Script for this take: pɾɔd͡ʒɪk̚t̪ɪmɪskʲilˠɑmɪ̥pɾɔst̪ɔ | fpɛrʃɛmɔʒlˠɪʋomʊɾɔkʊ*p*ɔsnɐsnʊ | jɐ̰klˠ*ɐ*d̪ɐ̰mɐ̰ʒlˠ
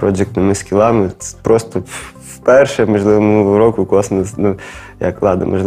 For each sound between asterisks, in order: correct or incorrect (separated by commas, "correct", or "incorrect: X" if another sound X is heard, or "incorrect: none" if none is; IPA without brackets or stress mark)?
incorrect: k, incorrect: ɑ